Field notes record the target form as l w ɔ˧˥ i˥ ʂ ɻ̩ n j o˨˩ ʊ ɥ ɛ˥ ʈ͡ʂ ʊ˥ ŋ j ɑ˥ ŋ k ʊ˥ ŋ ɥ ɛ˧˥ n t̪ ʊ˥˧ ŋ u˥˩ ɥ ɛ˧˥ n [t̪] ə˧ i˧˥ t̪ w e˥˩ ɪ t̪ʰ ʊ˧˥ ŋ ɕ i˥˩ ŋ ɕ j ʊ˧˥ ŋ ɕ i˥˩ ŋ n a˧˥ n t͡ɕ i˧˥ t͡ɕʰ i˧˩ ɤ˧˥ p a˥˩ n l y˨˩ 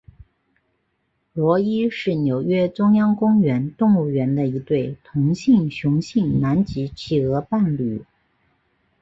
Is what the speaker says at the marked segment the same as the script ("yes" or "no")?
no